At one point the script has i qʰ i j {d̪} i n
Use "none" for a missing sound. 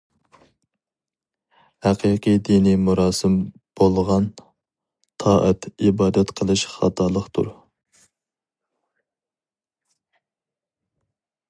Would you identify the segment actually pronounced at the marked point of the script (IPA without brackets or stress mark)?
d̪